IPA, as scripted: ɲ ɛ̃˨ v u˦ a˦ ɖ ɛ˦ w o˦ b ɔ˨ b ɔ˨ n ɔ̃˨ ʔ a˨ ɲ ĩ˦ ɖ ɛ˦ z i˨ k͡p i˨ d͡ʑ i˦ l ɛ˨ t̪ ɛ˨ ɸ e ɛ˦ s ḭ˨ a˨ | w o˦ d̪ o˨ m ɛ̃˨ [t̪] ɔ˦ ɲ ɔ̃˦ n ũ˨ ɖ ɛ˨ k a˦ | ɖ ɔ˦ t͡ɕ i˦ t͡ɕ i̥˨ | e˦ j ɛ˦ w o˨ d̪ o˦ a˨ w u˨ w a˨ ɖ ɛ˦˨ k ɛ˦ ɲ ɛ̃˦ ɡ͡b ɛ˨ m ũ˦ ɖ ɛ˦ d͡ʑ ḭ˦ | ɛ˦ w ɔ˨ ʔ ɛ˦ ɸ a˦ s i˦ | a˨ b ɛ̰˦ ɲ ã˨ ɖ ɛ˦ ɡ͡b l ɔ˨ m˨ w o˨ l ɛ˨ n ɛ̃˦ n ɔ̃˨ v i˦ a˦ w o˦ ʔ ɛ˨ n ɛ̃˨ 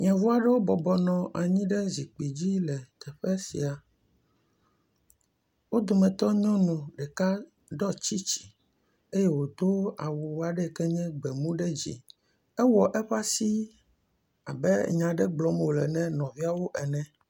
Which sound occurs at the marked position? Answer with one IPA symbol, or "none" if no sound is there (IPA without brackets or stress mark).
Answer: t̪